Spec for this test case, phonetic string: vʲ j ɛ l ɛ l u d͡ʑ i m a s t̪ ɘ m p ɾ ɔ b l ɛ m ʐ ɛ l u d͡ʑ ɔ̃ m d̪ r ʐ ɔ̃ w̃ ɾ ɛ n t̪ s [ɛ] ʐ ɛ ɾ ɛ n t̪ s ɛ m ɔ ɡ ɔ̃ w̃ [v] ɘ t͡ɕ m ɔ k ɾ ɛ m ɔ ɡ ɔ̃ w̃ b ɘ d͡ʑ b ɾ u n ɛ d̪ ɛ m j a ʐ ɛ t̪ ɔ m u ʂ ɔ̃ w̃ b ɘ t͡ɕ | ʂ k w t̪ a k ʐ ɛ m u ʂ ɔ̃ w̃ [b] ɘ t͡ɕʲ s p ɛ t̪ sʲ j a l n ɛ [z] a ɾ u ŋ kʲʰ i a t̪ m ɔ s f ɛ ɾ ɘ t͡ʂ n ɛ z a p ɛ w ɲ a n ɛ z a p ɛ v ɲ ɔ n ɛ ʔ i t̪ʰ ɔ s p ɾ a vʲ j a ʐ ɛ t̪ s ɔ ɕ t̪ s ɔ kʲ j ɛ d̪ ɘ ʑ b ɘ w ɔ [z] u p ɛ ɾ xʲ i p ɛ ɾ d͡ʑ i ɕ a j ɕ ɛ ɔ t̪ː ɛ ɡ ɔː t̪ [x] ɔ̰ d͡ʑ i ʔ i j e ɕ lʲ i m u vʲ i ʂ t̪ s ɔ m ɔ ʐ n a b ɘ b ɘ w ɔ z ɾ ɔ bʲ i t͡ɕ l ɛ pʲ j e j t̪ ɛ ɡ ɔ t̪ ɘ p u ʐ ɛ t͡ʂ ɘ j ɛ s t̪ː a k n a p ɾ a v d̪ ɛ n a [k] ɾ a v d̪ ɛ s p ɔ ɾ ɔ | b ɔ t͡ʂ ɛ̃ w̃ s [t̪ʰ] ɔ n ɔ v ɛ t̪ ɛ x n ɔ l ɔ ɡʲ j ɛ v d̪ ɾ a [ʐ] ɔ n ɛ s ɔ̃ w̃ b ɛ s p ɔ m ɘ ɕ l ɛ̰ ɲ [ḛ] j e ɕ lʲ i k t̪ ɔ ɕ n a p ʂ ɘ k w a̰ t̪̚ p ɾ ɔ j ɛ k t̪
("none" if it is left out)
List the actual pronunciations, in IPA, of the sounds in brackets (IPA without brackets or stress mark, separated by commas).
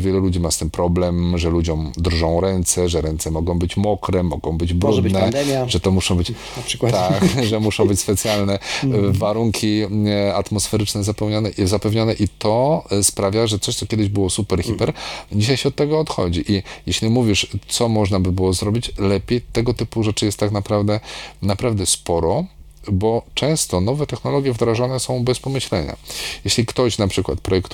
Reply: ɛ, b, b, v, s, x, p, t̪, ʐ, a̰